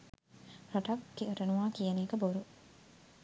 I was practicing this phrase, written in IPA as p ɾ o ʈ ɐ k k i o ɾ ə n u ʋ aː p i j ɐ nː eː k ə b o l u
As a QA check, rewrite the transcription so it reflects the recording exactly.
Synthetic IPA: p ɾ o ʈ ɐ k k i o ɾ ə n u ʋ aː k i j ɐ n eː k ə b o ɾ u